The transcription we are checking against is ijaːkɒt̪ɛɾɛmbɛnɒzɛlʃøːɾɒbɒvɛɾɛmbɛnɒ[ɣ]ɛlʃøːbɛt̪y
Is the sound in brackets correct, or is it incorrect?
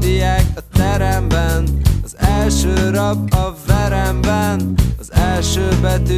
incorrect